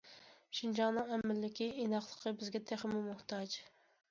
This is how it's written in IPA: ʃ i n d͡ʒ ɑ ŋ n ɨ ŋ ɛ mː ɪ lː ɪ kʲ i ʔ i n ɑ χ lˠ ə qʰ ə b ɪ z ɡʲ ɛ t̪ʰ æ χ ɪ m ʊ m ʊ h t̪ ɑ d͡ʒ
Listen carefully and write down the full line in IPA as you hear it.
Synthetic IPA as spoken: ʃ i n d͡ʒ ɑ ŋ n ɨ ŋ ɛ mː ɪ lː ɪ kʲ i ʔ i n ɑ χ lˠ ə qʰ ə b ɪ z ɡʲ ɛ t̪ʰ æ χ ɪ m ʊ m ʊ h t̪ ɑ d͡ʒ